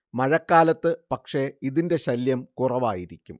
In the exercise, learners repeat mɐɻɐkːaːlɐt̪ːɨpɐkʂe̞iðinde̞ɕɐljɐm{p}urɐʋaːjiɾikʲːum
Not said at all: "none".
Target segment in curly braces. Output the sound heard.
k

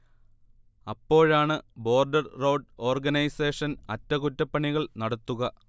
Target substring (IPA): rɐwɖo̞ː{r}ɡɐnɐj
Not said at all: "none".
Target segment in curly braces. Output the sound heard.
r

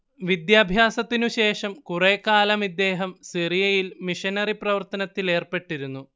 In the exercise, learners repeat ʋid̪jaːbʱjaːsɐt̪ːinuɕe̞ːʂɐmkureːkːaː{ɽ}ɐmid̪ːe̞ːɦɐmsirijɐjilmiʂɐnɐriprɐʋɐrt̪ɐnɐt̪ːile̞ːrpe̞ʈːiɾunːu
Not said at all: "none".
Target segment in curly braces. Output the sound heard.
l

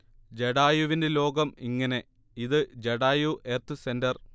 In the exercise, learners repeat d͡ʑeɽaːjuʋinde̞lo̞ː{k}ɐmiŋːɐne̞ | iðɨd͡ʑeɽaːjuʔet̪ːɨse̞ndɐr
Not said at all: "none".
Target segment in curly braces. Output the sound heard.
ɡ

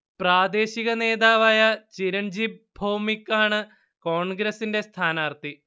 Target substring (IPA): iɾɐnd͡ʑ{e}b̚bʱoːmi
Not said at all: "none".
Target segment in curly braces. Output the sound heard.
i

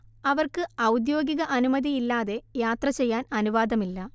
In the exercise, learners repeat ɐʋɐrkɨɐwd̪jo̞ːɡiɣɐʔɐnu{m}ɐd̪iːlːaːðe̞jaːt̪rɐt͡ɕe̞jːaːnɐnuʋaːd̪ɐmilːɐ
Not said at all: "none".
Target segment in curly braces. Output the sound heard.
m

